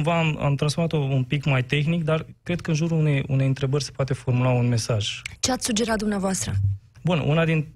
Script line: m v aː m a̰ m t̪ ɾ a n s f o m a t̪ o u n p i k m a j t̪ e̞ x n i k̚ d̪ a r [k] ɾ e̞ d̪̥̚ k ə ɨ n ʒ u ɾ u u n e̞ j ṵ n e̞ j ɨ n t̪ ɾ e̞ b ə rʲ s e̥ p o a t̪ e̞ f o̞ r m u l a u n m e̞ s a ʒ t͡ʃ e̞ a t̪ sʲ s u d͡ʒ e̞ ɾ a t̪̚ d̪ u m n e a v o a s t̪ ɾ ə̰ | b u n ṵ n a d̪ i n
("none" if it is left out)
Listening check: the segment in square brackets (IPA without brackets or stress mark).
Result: k